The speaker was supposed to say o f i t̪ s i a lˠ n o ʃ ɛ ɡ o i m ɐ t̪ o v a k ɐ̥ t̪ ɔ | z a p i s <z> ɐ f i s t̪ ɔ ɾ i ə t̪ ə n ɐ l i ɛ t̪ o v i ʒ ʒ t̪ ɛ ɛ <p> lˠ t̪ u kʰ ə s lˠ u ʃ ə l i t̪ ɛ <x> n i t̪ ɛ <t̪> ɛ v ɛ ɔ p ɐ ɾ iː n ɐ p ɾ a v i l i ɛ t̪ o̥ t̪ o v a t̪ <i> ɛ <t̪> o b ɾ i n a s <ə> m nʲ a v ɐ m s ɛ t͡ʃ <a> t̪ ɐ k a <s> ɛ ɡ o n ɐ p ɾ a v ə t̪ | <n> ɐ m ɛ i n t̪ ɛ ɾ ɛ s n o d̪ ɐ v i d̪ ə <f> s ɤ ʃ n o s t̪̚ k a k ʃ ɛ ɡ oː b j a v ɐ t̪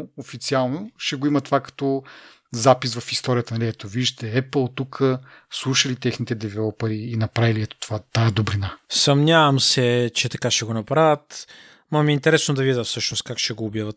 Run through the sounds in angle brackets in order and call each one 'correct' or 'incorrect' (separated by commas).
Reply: incorrect, correct, correct, incorrect, incorrect, incorrect, incorrect, incorrect, incorrect, incorrect, correct